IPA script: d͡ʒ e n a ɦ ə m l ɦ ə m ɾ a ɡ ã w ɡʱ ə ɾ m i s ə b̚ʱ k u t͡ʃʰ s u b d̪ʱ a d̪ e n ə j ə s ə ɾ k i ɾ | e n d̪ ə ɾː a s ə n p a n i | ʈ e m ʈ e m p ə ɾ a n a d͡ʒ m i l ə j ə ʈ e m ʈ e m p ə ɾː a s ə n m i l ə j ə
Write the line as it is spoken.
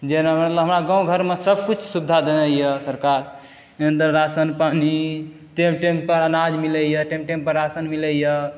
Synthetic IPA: d͡ʒ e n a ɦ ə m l ɦ ə m ɾ a ɡ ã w ɡʱ ə ɾ m e s ə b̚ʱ k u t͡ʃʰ s u b d̪ʱ a d̪ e n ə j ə s ə ɾ k a ɾ | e n d̪ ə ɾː a s ə n p a n i | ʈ e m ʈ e m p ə ɾ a n a d͡ʒ m i l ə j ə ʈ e m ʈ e m p ə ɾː a s ə n m i l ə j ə

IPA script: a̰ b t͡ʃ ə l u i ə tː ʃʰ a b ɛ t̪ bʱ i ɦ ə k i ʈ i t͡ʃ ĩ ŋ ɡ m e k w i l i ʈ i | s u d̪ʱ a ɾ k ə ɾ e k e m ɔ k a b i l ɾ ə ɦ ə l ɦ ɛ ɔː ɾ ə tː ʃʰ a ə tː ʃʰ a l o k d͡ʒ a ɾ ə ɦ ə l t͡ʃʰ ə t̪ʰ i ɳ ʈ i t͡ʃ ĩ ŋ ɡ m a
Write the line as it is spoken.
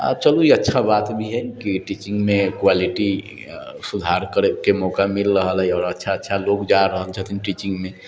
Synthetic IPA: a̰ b t͡ʃ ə l u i ə tː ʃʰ a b a t̪ bʱ i ɦ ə k i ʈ i t͡ʃ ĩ ŋ ɡ m e k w a l i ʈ i | s u d̪ʱ a ɾ k ə ɾ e k e m ɔ k a m i l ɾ ə ɦ ə l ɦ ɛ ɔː ɾ ə tː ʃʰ a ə tː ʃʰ a l o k d͡ʒ a ɾ ə ɦ ə l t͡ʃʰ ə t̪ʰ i n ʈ i t͡ʃ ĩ ŋ ɡ m e

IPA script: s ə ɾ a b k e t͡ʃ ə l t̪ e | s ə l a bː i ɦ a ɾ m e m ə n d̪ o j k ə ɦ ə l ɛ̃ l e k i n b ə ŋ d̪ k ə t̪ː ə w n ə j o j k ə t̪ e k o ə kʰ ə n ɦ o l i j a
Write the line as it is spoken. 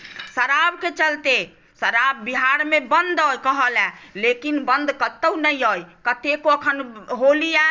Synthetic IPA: s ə ɾ a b k e t͡ʃ ə l t̪ e | s ə ɾ a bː i ɦ a ɾ m e b ə n d̪ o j k ə ɦ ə l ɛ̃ l e k i n b ə n d̪ k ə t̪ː ə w n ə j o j k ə t̪ e k o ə kʰ ə n ɦ o l i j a

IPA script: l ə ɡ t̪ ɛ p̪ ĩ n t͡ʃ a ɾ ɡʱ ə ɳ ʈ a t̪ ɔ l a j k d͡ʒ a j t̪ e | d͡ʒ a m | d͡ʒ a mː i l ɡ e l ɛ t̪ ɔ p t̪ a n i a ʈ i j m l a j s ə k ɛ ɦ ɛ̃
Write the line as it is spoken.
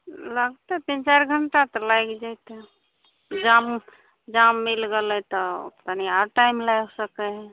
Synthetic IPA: l ə ɡ t̪ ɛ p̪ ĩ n t͡ʃ a ɾ ɡʱ ə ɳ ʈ a t̪ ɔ l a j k d͡ʒ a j t̪ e | d͡ʒ a m | d͡ʒ a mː i l ɡ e l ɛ t̪ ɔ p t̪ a n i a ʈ a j m l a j s ə k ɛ ɦ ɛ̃

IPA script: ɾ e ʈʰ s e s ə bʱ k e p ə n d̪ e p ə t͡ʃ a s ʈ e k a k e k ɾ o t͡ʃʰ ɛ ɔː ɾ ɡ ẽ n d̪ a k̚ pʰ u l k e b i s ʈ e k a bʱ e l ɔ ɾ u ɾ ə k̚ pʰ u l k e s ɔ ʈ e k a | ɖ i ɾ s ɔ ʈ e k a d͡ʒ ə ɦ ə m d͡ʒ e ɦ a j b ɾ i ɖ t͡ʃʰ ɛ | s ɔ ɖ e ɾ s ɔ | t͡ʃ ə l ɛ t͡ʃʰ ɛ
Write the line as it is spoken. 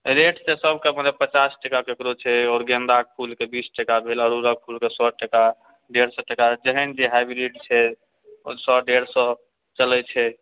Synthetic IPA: ɾ e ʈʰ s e s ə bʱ k e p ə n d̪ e p ə t͡ʃ a s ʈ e k a k e k ɾ o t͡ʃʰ ɛ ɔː ɾ ɡ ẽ n d̪ a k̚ pʰ u l k e b i s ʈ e k a bʱ e l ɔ ɾ u ɾ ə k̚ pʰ u l k e s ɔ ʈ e k a | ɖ e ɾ s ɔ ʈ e k a d͡ʒ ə ɦ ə n d͡ʒ e ɦ a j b ɾ i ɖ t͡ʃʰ ɛ | s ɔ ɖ e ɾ s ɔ | t͡ʃ ə l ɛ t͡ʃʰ ɛ

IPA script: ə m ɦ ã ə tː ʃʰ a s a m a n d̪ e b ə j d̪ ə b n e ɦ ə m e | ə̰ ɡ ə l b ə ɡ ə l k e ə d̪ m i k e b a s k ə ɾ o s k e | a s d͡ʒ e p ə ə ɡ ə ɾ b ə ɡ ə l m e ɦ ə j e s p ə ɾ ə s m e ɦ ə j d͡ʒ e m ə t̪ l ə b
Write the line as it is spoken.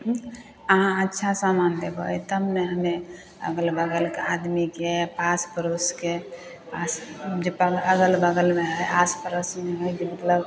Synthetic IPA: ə ɦ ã ə tː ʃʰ a s a m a n d̪ e b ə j t̪ ə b n e ɦ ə m e | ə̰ ɡ ə l b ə ɡ ə l k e a d̪ m i k e p a s p ə ɾ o s k e | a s d͡ʒ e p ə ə ɡ ə l b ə ɡ ə l m e ɦ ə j a s p ə ɾ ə s m e ɦ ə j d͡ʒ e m ə t̪ l ə b

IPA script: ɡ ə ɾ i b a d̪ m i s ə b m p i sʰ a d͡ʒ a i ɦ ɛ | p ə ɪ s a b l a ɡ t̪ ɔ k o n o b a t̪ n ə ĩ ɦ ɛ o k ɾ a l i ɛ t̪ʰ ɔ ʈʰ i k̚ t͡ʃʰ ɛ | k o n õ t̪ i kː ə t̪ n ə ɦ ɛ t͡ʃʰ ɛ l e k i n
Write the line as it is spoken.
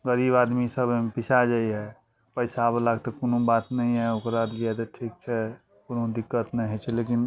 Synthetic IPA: ɡ ə ɾ i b a d̪ m i s ə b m p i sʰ a d͡ʒ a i ɦ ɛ | p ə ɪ s a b l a ɡ t̪ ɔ k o n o b a t̪ n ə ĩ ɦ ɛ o k ɾ a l i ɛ t̪ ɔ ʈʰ i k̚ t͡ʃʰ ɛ | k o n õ d̪ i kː ə t̪ n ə ɦ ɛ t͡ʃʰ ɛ l e k i n

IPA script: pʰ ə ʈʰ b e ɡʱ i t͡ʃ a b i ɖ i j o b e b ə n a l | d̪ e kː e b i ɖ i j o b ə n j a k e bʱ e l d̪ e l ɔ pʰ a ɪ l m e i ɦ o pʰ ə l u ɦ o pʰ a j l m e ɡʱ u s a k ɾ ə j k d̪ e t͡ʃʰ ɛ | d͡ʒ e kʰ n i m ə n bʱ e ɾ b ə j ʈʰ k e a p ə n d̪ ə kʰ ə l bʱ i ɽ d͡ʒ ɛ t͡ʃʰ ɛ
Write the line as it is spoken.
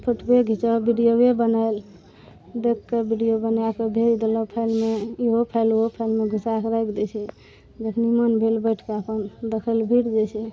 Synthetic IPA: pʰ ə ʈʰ b e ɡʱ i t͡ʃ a b i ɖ i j o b e b ə n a l | d̪ e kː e b i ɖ i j o b ə n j a k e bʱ e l d̪ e l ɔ pʰ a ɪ l m e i ɦ o pʰ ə l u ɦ o pʰ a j l m e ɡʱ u s a k ɾ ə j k d̪ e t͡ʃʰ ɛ | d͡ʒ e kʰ n i m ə n bʱ e l b ə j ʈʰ k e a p ə n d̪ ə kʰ ə l bʱ i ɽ d͡ʒ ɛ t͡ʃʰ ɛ

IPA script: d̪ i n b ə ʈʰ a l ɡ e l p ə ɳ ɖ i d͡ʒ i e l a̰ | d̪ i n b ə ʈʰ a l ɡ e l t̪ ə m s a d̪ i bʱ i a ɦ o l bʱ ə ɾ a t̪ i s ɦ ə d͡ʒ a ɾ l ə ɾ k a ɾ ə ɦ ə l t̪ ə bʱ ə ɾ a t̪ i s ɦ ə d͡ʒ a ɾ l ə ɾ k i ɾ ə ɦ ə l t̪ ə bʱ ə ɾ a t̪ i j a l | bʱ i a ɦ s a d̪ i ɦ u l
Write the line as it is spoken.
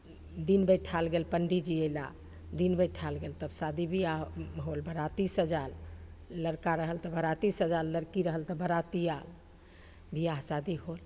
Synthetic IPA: d̪ i n b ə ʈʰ a l ɡ e l p ə ɳ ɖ i d͡ʒ i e l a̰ | d̪ i n b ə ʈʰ a l ɡ e l t̪ ə b s a d̪ i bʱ i a ɦ o l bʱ ə ɾ a t̪ i s ɦ ə d͡ʒ a ɾ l ə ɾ k a ɾ ə ɦ ə l t̪ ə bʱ ə ɾ a t̪ i s ɦ ə d͡ʒ a ɾ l ə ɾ k i ɾ ə ɦ ə l t̪ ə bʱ ə ɾ a t̪ i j a l | bʱ i a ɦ s a d̪ i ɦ o l

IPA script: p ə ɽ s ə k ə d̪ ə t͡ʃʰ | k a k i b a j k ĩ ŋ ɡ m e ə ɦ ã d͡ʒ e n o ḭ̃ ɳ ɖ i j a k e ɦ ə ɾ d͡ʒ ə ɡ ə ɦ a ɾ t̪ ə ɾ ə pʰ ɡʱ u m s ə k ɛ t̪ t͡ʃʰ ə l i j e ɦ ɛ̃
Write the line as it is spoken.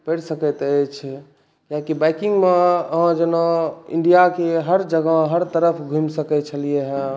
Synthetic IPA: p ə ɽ s ə k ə t̪ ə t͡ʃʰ | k a k i b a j k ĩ ŋ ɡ m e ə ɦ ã d͡ʒ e n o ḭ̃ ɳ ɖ i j a k e ɦ ə ɾ d͡ʒ ə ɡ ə ɦ ə ɾ t̪ ə ɾ ə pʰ ɡʱ u m s ə k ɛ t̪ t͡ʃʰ ə l i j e ɦ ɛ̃

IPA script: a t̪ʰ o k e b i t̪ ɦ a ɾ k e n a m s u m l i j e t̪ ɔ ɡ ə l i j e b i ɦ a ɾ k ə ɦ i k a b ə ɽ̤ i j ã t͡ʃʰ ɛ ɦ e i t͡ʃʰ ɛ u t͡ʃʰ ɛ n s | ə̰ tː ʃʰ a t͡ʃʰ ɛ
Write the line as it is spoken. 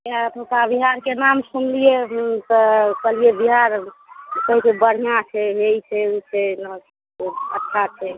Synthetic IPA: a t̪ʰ o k a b i ɦ a ɾ k e n a m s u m l i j e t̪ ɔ k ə l i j e b i ɦ a ɾ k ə ɦ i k e b ə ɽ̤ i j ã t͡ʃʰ ɛ ɦ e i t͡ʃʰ ɛ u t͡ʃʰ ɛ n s | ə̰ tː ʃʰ a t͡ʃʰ ɛ

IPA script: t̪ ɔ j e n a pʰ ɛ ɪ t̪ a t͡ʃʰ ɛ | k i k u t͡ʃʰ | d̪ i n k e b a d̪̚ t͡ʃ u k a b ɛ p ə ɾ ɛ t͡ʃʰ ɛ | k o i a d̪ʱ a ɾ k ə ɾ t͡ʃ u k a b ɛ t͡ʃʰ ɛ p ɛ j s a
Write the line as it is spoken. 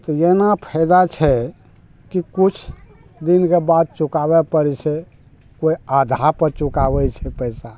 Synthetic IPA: t̪ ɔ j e n a pʰ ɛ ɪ d̪ a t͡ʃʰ ɛ | k i k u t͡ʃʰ | d̪ i n k e b a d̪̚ t͡ʃ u k a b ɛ p ə ɾ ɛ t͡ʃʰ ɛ | k o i a d̪ʱ a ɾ p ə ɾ t͡ʃ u k a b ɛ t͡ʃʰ ɛ p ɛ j s a

